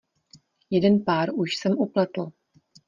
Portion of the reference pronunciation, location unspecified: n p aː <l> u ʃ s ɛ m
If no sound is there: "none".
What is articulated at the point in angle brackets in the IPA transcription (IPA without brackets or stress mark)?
ɾ